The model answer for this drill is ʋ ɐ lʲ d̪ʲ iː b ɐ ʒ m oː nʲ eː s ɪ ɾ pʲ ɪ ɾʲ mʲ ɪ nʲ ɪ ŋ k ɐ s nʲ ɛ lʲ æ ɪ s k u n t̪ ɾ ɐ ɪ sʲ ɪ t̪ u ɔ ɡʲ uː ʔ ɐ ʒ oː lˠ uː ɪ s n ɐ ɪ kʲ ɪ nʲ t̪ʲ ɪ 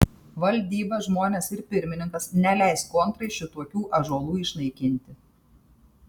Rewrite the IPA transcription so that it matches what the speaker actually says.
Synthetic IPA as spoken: ʋ ɐ lʲ d̪ʲ iː b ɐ ʒ m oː nʲ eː s ɪ ɾ pʲ ɪ ɾʲ mʲ ɪ nʲ ɪ ŋ k ɐ s nʲ ɛ lʲ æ ɪ s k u n t̪ ɾ ɐ ɪ ʃʲ ɪ t̪ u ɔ kʲ uː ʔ ɐ ʒ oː lˠ uː ɪ ʃ n ɐ ɪ kʲ ɪ nʲ t̪ʲ ɪ